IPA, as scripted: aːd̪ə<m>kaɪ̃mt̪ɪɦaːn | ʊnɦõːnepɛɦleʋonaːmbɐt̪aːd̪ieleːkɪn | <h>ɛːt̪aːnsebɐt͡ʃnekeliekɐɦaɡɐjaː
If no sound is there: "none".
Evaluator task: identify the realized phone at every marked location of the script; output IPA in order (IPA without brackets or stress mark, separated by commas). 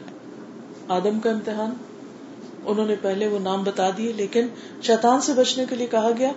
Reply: m, ʃ